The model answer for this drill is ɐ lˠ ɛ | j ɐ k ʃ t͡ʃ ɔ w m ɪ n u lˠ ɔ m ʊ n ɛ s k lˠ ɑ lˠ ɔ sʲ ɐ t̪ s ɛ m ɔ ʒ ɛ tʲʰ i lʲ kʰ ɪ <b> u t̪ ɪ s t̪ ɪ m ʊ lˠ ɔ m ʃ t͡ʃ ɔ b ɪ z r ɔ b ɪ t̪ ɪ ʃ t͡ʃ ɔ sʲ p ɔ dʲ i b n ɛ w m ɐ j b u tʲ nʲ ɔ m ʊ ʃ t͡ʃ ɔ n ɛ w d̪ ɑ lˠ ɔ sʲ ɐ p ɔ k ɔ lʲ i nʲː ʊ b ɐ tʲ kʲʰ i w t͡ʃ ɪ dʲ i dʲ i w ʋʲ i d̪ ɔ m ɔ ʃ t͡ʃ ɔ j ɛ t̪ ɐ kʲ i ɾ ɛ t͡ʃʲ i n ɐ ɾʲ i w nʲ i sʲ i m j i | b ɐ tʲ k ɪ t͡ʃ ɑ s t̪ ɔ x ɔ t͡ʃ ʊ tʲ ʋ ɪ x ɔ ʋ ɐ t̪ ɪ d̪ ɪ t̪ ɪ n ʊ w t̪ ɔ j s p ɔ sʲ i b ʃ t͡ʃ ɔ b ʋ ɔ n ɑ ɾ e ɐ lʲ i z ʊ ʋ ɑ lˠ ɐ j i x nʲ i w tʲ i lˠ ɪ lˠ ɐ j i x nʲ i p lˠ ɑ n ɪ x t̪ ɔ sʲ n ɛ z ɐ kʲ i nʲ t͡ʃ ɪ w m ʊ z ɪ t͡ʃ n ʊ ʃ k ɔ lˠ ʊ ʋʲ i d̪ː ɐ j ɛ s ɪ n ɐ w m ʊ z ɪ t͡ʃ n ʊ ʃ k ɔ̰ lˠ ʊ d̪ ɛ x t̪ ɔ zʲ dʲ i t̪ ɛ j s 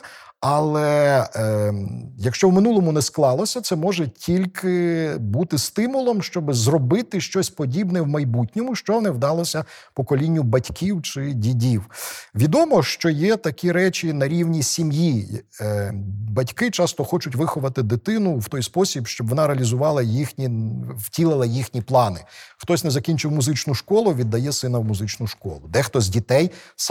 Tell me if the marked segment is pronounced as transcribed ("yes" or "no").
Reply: yes